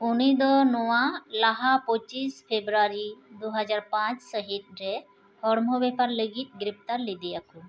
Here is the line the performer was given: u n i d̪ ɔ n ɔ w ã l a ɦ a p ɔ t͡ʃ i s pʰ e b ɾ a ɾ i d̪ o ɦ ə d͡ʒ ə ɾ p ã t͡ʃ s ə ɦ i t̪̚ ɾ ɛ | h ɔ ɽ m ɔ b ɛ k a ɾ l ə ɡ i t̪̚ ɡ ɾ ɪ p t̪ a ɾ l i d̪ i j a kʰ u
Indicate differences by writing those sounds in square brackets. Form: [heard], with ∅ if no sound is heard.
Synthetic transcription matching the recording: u n i d̪ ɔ n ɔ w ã l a ɦ a p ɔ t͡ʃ i s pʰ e b ɾ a ɾ i d̪ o ɦ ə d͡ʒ [a] ɾ p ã t͡ʃ s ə ɦ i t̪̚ ɾ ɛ | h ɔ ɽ m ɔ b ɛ [p] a ɾ l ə ɡ i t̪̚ ɡ ɾ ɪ p t̪ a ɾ l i d̪ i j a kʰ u